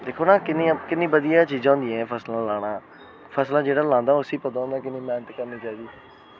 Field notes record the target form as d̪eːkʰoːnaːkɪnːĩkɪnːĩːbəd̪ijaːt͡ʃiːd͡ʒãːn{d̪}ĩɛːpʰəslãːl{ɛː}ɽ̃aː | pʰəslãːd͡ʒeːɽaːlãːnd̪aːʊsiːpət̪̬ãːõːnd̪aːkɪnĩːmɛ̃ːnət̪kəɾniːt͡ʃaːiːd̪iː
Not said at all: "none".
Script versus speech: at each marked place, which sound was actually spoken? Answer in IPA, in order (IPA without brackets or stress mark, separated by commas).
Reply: d̪, aː